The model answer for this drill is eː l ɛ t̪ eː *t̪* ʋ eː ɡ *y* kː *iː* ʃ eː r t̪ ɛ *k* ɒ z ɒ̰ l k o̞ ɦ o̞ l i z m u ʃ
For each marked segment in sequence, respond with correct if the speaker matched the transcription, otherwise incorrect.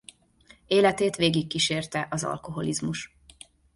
correct, incorrect, incorrect, incorrect

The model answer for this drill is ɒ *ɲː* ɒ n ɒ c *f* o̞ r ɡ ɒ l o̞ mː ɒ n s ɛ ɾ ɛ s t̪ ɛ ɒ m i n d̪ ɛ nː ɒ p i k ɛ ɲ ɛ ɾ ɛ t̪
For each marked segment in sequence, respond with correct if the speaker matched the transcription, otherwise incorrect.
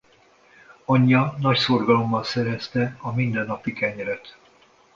correct, incorrect

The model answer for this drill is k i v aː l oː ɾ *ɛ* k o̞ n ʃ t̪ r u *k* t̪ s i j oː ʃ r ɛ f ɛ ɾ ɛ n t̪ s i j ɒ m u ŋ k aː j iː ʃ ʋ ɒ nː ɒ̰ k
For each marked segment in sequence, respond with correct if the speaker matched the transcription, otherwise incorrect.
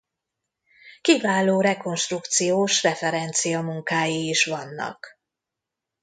correct, correct

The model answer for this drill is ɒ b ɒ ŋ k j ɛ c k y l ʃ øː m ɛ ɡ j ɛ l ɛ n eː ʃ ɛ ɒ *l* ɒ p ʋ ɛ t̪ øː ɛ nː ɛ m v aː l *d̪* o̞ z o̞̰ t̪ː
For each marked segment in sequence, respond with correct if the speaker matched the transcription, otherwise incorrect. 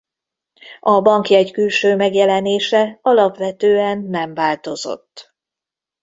correct, incorrect

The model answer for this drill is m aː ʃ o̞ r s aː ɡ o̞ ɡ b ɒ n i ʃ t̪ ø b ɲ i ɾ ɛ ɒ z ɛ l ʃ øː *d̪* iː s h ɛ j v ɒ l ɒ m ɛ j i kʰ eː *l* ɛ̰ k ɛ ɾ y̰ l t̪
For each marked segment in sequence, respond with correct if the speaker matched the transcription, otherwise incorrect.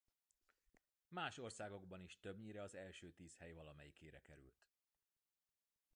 incorrect, incorrect

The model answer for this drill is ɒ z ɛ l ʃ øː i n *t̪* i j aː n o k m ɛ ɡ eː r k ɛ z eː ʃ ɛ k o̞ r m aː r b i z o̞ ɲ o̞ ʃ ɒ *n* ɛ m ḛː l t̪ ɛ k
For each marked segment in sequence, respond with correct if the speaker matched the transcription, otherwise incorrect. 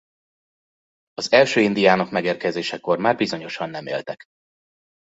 incorrect, incorrect

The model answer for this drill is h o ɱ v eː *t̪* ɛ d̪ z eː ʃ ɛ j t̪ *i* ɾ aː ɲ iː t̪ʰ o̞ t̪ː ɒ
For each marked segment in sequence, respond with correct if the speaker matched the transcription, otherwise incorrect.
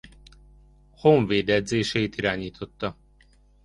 incorrect, correct

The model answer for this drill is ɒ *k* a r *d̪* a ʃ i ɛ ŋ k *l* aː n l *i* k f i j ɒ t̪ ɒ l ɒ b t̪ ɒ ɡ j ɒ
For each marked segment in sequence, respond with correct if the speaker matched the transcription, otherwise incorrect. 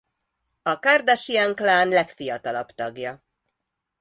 correct, correct, correct, incorrect

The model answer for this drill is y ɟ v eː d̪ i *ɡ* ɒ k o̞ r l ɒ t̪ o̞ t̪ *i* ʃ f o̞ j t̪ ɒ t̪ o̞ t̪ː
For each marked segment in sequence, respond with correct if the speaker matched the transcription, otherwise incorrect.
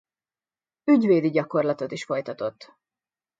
incorrect, correct

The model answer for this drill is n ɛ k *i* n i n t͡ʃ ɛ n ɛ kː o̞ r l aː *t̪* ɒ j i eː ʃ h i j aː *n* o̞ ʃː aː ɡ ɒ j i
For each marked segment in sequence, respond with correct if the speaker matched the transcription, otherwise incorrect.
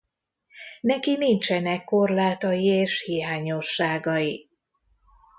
correct, correct, incorrect

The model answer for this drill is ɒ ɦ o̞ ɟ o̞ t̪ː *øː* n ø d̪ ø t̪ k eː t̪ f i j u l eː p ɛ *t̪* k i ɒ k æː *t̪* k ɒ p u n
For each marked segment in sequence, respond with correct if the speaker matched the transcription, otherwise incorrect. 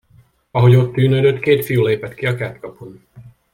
incorrect, correct, correct

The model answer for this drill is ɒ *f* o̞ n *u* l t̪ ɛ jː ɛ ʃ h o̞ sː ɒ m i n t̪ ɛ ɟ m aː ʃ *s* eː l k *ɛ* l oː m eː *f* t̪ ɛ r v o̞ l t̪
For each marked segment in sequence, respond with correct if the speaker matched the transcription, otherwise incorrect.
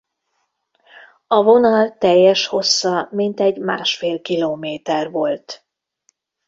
incorrect, incorrect, incorrect, incorrect, incorrect

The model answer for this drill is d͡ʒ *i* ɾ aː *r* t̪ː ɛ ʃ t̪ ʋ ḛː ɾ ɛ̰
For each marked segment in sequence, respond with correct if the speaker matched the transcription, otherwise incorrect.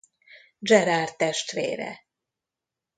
incorrect, correct

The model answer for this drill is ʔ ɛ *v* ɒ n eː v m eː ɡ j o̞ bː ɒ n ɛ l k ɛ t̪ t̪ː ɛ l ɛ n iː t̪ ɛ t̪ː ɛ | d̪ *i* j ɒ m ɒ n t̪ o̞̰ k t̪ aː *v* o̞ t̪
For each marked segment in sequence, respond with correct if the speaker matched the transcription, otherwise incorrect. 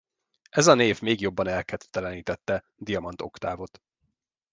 incorrect, correct, correct

